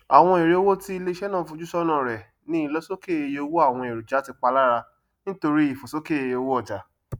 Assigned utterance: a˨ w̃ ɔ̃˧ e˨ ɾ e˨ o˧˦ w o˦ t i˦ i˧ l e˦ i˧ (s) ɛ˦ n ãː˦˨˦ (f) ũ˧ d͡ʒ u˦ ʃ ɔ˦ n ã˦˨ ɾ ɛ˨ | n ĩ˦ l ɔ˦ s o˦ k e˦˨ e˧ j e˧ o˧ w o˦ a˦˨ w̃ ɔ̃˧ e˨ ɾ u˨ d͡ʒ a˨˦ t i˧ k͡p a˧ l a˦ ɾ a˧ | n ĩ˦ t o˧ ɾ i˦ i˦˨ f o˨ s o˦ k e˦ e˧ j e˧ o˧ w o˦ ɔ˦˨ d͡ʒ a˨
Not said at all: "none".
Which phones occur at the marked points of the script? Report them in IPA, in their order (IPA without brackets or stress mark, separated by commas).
ʃ, f